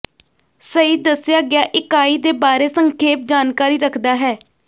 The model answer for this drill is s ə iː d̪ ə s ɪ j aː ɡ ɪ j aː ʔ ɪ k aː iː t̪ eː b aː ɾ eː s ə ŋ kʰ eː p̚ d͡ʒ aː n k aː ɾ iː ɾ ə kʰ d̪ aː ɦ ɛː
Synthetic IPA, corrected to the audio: s ə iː d̪ ə s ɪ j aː ɡ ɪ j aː ʔ ɪ k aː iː d̪ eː b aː ɾ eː s ə ŋ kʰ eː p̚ d͡ʒ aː n k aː ɾ iː ɾ ə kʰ d̪ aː ɦ ɛː